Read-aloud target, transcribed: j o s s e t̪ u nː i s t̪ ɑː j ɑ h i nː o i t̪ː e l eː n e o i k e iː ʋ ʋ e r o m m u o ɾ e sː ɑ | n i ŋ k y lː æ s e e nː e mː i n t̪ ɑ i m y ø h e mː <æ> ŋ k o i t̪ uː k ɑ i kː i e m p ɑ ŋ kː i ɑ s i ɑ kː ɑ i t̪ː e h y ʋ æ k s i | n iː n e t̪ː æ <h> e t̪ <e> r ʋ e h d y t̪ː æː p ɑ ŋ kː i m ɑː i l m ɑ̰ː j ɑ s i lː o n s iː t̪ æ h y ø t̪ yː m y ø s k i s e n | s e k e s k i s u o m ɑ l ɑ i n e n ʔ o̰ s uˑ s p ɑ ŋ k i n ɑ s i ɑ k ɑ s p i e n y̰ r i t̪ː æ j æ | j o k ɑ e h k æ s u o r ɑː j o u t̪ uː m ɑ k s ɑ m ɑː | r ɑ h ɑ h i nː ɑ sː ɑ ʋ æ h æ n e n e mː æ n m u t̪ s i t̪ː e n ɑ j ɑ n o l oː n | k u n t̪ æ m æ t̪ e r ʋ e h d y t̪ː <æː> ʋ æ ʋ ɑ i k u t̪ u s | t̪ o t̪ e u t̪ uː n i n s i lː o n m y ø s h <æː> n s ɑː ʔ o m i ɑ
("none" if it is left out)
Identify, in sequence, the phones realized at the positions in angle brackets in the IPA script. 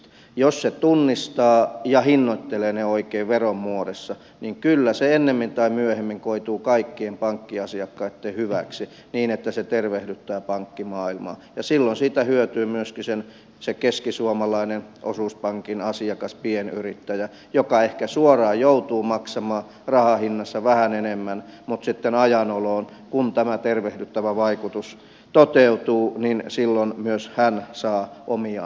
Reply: i, s, e, æ, æ

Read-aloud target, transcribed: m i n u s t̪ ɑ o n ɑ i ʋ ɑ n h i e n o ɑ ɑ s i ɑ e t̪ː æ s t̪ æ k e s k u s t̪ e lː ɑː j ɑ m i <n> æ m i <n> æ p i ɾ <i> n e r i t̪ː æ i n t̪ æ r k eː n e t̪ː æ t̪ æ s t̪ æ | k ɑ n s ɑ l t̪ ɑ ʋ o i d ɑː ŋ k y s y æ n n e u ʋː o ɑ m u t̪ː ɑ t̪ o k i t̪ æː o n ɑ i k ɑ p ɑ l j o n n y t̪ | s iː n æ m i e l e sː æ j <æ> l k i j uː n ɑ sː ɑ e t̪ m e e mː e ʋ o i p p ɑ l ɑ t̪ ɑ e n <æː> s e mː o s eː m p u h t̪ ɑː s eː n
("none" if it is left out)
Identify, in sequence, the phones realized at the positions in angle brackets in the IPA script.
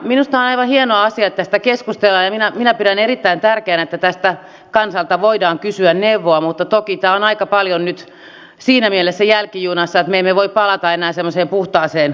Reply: n, n, æ, æ, æː

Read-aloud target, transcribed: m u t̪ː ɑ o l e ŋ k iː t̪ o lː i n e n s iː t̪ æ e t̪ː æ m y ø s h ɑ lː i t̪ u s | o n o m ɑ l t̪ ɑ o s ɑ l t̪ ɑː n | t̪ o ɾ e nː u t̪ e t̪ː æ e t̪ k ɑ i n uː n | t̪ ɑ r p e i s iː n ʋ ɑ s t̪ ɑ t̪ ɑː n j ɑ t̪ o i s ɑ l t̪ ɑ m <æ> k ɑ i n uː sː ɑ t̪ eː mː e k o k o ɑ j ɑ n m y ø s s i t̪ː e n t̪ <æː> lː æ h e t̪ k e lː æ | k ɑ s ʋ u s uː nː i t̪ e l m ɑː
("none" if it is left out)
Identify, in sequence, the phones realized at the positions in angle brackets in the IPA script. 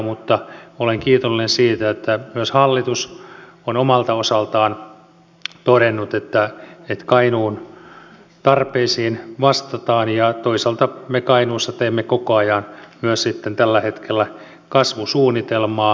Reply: e, æ

